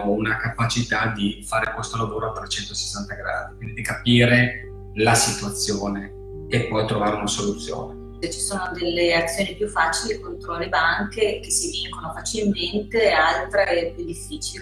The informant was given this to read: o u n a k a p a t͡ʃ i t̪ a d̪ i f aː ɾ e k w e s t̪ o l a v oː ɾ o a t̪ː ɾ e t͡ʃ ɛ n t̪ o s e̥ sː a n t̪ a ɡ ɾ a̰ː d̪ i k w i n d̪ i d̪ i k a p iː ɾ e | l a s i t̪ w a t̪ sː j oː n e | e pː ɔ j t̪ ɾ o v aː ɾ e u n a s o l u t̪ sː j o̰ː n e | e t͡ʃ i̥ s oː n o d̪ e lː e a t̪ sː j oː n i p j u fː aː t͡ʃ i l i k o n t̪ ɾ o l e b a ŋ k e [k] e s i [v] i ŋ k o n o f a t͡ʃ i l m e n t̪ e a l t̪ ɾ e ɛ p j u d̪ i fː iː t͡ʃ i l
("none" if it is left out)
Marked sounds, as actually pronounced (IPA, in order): k, v

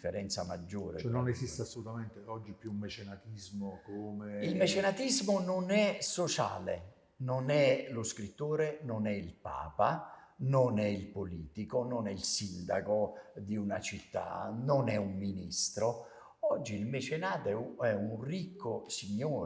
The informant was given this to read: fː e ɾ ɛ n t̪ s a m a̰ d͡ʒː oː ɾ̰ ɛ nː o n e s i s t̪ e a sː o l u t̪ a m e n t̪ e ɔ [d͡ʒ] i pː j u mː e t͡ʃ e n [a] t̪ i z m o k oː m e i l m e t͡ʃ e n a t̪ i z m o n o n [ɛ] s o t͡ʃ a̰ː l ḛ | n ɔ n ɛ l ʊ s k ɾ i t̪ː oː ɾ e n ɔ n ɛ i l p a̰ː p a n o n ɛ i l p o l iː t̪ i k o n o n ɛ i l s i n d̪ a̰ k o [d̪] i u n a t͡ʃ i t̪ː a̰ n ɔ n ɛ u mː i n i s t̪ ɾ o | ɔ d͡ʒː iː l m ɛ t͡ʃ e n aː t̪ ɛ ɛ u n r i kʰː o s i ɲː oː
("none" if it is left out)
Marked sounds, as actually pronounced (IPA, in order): d͡ʒː, a, ɛ, d̪

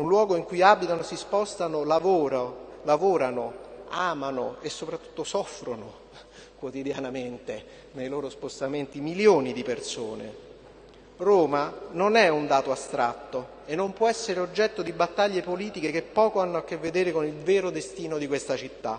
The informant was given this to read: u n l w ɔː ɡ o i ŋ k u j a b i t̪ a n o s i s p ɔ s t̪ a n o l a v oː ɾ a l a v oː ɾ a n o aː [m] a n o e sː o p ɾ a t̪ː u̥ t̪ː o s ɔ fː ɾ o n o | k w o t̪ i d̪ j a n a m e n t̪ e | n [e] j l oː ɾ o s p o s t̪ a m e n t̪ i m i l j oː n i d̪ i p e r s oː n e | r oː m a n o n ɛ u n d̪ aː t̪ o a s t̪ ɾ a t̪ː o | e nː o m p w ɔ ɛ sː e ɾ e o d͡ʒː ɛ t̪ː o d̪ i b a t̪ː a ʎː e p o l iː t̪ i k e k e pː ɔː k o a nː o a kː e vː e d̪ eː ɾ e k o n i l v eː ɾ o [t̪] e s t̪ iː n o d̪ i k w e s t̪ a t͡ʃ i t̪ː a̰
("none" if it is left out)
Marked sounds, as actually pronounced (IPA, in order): m, e, d̪

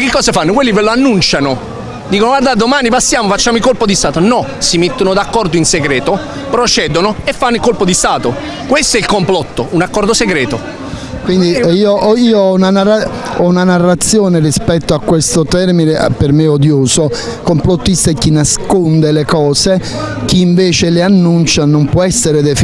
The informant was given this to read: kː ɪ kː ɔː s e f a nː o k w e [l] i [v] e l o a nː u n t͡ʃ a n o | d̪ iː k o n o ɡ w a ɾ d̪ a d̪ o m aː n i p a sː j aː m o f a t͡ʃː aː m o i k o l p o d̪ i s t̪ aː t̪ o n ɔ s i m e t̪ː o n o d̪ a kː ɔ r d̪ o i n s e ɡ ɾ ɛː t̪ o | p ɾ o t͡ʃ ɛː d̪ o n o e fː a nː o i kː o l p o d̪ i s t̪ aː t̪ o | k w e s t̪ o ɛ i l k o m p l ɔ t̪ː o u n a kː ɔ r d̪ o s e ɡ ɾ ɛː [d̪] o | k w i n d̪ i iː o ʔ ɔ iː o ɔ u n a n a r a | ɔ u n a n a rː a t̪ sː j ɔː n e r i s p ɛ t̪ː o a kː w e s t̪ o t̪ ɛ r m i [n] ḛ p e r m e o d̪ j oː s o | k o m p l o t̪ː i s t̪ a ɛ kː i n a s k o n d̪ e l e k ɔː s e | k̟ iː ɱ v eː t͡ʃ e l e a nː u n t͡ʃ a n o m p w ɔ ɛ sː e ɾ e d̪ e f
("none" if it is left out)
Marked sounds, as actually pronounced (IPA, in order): lː, v, t̪, n

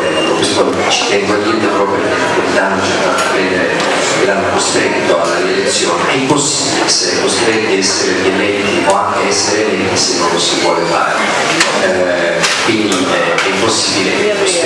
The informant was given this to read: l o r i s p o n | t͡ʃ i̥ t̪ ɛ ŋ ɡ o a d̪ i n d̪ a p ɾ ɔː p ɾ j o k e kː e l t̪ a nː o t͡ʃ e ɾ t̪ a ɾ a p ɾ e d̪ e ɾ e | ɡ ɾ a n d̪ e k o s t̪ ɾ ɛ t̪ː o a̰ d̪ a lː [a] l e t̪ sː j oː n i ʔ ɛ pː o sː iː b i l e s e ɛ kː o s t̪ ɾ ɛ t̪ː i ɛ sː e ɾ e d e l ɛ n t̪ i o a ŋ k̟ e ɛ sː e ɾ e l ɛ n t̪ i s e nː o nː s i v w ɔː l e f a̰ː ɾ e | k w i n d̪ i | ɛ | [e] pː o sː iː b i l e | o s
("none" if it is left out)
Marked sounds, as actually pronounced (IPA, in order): e, ɛ

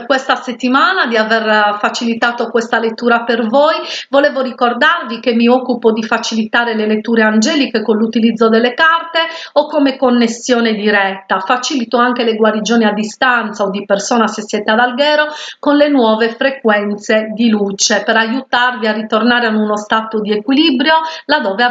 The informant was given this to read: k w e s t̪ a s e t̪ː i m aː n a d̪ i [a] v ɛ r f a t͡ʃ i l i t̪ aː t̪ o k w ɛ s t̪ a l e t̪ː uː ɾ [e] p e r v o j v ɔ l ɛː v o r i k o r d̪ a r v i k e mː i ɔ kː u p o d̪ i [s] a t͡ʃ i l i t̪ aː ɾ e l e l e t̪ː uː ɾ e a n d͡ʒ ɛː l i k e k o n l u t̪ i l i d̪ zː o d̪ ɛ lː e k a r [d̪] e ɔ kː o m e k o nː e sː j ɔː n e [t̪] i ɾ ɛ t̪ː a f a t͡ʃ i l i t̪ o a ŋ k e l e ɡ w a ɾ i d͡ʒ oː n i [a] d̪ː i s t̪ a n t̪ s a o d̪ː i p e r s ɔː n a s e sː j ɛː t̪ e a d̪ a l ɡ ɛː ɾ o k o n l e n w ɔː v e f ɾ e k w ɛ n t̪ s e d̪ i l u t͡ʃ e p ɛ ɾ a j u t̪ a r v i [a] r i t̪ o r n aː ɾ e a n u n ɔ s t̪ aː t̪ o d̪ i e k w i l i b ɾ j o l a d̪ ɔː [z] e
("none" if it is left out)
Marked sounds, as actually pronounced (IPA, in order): a, a, f, t̪, d̪, a, a, v

